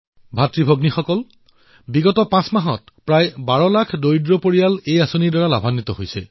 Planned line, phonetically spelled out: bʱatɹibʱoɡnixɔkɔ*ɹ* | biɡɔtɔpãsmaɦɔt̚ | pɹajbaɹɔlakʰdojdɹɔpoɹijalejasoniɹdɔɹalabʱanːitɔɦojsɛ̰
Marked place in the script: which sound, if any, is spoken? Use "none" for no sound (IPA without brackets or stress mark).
l